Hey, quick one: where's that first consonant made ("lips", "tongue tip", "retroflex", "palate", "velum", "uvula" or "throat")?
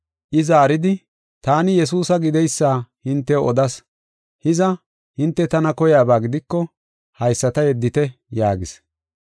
throat